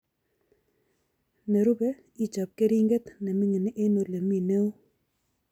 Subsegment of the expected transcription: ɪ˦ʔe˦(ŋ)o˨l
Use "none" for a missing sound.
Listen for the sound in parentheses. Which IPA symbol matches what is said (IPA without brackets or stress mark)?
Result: n